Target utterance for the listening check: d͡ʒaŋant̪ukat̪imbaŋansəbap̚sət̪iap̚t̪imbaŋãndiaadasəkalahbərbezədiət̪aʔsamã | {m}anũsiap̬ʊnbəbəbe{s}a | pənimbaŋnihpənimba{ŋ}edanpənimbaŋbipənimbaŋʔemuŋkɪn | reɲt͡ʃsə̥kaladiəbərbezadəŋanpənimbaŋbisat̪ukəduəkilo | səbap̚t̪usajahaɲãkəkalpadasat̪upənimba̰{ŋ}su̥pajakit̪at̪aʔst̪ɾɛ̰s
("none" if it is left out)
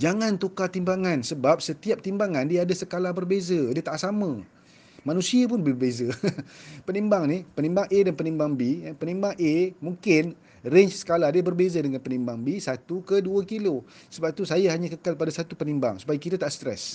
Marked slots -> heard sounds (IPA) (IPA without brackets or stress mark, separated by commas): m, z, ŋ, ŋ